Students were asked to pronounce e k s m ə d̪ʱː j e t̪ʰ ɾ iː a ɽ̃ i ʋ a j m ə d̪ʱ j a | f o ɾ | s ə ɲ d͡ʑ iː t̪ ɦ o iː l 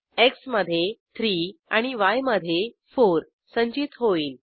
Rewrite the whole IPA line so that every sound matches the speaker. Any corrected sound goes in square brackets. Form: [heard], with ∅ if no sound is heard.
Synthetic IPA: e k s m ə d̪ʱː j e t̪ʰ ɾ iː a ɽ̃ i ʋ a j m ə d̪ʱ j [e] | f o ɾ | s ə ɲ d͡ʑ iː t̪ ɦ o iː l